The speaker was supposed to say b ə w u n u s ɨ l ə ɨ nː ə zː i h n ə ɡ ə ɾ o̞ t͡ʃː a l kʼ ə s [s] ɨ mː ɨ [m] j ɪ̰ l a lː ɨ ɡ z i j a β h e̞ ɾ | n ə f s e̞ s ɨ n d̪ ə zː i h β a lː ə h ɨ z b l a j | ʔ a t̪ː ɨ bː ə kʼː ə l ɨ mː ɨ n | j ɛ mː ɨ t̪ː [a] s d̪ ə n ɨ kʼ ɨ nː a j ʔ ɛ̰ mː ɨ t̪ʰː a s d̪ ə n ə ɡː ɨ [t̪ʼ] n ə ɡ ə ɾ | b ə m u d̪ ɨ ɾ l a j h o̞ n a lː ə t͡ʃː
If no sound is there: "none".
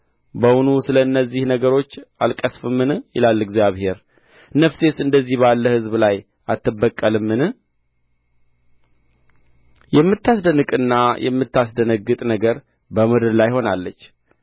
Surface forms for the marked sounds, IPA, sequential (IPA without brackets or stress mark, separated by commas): f, n, a, t̪ʼ